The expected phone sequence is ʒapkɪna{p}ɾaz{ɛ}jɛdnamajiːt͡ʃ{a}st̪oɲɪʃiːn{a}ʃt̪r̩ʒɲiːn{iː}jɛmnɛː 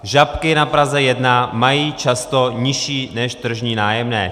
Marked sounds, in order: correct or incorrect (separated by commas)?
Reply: correct, correct, correct, incorrect, incorrect